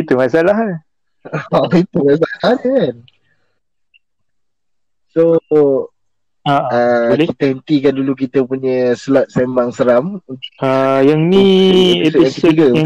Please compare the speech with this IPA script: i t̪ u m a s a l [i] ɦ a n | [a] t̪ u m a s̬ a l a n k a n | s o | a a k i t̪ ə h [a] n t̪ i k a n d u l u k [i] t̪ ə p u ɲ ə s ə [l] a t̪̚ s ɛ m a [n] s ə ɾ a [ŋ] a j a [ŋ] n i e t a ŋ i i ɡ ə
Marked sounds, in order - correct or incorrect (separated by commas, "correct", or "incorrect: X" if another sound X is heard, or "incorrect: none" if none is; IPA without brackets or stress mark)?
incorrect: a, incorrect: i, incorrect: ə, correct, correct, incorrect: ŋ, incorrect: m, correct